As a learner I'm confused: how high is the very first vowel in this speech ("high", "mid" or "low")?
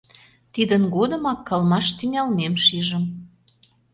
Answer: high